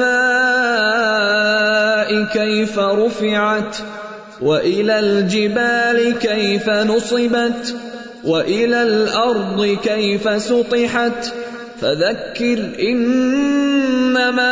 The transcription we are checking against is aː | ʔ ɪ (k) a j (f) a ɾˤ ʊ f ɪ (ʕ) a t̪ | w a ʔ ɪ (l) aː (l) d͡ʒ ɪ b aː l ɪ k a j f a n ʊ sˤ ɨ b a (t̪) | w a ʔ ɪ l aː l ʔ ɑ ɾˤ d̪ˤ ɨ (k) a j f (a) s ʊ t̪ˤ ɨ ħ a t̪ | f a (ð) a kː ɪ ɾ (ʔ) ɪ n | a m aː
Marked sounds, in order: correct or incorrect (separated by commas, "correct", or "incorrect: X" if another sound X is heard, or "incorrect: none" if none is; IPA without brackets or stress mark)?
correct, correct, correct, correct, correct, correct, correct, correct, correct, correct